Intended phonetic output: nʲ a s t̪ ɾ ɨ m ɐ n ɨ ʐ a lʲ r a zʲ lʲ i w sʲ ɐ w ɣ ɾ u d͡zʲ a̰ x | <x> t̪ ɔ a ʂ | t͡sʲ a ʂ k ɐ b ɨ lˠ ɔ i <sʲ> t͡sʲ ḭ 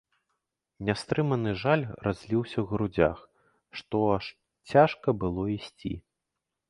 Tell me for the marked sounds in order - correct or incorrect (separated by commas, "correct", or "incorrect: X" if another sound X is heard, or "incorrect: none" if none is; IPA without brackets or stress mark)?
incorrect: ʂ, correct